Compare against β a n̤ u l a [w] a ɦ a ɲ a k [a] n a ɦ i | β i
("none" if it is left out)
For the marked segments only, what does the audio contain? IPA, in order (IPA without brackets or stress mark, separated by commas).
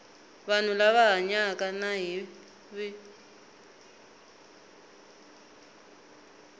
β, a